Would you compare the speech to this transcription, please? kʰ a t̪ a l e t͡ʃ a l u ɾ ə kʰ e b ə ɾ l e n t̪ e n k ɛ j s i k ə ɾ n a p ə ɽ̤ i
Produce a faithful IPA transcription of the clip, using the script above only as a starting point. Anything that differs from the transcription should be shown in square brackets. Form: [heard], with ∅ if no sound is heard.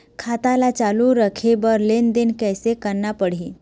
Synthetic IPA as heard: kʰ a t̪ a l [a] t͡ʃ a l u ɾ ə kʰ e b ə ɾ l e n [d̪] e n k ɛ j s [e] k ə ɾ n a p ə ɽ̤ i